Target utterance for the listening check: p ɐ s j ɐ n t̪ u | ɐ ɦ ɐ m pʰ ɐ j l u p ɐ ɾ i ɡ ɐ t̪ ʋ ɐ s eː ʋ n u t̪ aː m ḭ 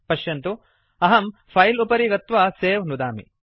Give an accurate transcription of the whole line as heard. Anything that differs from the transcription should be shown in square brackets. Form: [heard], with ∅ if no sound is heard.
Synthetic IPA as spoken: p ɐ [ʃ] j ɐ n t̪ u | ɐ ɦ ɐ m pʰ ɐ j l u p ɐ ɾ i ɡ ɐ t̪ ʋ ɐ s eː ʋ n u [d̪] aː m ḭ

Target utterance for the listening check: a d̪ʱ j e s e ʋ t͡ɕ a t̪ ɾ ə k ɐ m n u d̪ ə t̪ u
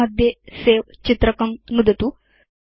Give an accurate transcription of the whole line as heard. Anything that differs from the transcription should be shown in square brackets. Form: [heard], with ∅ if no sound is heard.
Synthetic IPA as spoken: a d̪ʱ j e s e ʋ t͡ɕ [i] t̪ ɾ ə k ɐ m n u d̪ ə t̪ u

